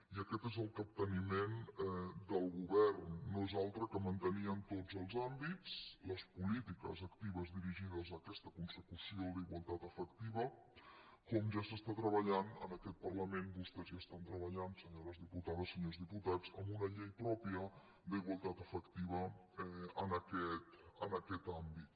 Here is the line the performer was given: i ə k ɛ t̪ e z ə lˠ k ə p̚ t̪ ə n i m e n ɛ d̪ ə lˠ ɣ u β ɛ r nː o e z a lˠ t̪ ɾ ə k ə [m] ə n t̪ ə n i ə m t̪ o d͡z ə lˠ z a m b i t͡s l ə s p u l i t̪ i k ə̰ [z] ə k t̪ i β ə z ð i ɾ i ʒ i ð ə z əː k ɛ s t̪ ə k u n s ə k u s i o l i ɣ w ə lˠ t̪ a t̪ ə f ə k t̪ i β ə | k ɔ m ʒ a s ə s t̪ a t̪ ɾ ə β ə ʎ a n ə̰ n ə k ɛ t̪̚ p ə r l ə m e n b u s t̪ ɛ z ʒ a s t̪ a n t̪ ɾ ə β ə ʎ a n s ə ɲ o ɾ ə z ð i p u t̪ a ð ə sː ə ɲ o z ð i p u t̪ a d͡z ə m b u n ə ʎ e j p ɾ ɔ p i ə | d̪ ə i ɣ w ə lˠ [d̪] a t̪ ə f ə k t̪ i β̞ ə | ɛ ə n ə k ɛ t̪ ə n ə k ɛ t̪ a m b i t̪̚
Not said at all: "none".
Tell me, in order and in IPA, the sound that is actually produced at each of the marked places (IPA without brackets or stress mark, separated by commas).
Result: m, z, t̪